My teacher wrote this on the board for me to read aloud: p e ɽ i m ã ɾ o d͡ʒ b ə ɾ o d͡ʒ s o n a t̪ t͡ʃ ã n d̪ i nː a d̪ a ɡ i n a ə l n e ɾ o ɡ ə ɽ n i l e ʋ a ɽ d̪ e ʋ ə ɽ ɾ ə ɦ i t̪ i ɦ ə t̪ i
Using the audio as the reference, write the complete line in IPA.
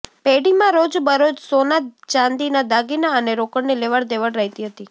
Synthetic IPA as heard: p e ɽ i m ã ɾ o d͡ʒ b ə ɾ o d͡ʒ s o n a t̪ t͡ʃ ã n d̪ i n a d̪ a ɡ i n a ə n e ɾ o k ə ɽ n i l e ʋ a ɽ d̪ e ʋ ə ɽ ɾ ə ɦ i t̪ i ɦ ə t̪ i